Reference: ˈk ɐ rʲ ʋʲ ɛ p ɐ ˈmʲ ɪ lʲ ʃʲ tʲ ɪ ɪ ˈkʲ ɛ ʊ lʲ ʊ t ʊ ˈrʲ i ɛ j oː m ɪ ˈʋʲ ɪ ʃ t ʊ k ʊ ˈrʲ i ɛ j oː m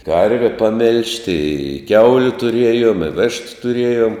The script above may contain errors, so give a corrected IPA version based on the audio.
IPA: ˈk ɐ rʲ ʋʲ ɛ p ɐ ˈmʲ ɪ lʲ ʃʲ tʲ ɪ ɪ ˈkʲ ɛ ʊ lʲ ʊ t ʊ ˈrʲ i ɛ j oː m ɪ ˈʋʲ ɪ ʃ t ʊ t ʊ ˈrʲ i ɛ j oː m

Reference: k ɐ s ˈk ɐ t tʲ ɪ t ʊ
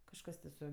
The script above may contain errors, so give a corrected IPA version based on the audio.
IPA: k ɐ ʃ ˈk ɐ s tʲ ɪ s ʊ

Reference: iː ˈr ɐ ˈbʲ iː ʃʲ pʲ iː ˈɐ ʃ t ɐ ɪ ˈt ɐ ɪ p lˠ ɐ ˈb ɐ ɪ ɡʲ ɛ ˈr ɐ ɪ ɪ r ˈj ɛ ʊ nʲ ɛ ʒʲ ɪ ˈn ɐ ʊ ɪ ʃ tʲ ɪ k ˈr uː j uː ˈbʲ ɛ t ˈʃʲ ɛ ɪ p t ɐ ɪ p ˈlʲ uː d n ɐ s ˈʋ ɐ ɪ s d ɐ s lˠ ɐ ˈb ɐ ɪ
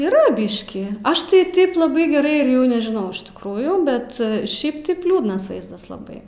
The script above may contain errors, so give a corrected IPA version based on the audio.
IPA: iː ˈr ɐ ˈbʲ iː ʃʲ kʲ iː ˈɐ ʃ t ɐ ɪ ˈt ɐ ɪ p lˠ ɐ ˈb ɐ ɪ ɡʲ ɛ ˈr ɐ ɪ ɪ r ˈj ɛ ʊ nʲ ɛ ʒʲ ɪ ˈn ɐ ʊ ɪ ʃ tʲ ɪ k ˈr uː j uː ˈbʲ ɛ t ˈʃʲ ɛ ɪ p t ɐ ɪ p ˈlʲ uː d n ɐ s ˈʋ ɐ ɪ z d ɐ s lˠ ɐ ˈb ɐ ɪ

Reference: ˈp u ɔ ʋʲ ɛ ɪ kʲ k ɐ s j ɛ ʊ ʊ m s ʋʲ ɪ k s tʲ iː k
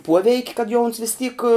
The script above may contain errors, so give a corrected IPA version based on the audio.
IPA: ˈp u ɔ ʋʲ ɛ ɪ kʲ k ɐ t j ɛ ʊ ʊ n s ʋʲ ɪ s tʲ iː k

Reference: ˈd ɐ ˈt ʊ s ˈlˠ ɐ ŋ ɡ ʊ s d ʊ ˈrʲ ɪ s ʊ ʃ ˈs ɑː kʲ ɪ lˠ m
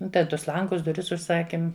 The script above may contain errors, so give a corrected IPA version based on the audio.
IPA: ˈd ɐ ˈt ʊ s ˈlˠ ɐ ŋ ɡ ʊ s d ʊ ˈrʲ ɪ s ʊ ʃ ˈs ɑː kʲ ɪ m

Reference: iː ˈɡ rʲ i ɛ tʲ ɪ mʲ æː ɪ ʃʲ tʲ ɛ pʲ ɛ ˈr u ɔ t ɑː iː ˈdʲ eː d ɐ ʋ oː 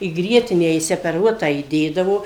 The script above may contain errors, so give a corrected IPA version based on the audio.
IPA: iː ˈɡ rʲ i ɛ tʲ ɪ nʲ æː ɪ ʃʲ sʲ ɛ pʲ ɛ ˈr u ɔ t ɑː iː ˈdʲ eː d ɐ ʋ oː

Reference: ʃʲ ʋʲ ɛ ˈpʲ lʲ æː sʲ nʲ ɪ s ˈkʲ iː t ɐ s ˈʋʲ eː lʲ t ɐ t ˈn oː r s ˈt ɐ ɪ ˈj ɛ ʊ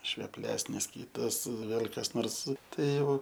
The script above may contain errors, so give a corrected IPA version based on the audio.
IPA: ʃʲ ʋʲ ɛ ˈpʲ lʲ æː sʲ nʲ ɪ s ˈkʲ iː t ɐ s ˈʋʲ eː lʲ k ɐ s ˈn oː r s ˈt ɐ ɪ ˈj ɛ ʊ

